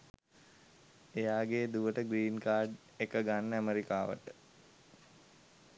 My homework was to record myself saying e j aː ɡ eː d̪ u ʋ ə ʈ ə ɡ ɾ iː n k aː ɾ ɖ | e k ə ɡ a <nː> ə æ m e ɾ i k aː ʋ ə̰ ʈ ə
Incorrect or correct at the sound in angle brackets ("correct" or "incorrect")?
correct